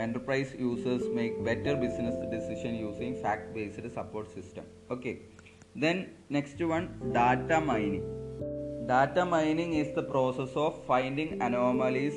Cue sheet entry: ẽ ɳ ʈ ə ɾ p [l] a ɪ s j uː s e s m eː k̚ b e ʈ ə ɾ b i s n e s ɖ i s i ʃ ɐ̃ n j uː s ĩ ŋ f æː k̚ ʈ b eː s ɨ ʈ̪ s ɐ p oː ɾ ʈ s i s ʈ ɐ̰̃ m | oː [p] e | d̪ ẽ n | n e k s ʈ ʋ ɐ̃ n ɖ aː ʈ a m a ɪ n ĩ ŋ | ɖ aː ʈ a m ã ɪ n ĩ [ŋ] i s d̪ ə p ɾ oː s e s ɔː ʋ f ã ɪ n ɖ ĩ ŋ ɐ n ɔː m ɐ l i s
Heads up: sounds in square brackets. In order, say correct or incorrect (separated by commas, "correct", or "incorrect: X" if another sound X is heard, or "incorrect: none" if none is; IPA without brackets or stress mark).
incorrect: ɾ, incorrect: k, correct